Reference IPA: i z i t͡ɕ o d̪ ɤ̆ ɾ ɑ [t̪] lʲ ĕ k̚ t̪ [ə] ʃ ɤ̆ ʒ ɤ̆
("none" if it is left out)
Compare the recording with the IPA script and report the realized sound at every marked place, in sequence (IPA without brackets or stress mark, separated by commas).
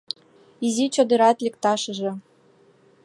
t̪, ɑ